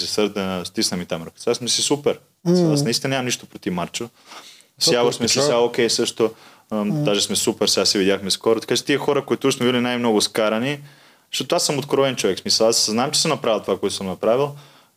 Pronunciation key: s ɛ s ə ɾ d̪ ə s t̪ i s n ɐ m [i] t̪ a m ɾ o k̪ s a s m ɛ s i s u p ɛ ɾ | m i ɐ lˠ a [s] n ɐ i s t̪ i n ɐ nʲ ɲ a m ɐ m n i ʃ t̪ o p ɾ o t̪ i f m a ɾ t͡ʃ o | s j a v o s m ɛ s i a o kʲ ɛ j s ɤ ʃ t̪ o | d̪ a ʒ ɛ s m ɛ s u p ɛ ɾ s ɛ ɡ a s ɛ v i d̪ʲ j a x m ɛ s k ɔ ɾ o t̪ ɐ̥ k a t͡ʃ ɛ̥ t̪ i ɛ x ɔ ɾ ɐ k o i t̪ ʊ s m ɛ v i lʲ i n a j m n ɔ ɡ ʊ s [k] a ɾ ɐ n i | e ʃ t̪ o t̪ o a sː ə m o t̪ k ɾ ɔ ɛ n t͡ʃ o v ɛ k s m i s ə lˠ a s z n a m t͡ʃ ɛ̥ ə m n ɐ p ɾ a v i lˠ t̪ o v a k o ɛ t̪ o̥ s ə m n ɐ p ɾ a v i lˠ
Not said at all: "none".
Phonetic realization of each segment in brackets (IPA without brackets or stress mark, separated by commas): i, s, k